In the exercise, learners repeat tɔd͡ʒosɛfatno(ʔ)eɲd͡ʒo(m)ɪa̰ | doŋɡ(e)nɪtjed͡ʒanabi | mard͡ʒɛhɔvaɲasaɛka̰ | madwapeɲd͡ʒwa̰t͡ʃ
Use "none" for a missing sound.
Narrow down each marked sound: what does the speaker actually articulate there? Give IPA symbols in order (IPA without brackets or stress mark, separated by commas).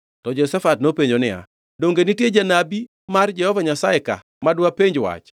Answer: p, n, e